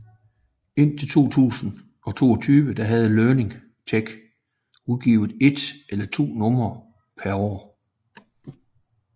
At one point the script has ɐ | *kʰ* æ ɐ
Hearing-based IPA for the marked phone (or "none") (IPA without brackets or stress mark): pʰ